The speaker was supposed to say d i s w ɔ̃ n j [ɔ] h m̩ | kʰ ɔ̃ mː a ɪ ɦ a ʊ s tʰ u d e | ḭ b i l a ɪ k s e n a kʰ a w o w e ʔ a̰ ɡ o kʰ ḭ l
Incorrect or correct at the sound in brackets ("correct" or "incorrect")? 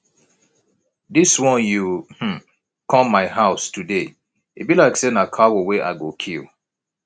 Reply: incorrect